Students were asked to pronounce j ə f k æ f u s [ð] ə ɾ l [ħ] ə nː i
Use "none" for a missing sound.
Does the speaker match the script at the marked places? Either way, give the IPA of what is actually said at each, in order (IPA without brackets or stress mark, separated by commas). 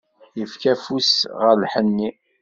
ʁ, ħ